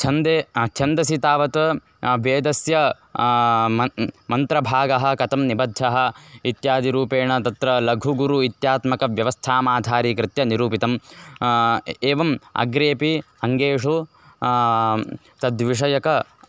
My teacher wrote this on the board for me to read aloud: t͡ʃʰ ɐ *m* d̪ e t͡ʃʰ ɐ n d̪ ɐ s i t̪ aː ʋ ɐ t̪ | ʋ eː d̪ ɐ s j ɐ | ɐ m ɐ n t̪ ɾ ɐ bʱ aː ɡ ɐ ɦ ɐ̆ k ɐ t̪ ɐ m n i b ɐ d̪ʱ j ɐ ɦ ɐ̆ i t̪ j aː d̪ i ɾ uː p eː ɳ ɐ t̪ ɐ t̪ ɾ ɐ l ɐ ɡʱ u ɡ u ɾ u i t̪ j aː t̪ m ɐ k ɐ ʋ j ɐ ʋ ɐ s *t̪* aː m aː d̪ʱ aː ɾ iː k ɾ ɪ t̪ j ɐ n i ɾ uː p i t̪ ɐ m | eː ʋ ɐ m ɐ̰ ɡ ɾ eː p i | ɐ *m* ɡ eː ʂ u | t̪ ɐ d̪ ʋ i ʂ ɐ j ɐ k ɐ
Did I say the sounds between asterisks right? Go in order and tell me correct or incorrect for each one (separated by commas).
incorrect, incorrect, incorrect